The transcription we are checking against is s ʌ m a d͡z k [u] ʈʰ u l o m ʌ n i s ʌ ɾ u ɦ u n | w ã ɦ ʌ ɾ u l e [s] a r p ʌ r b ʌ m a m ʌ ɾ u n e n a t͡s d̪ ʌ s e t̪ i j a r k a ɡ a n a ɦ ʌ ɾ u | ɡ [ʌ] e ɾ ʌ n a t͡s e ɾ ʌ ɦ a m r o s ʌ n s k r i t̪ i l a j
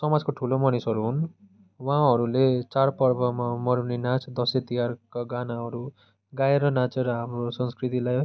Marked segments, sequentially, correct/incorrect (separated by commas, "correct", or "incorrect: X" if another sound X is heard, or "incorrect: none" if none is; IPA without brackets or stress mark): incorrect: o, incorrect: t͡s, incorrect: a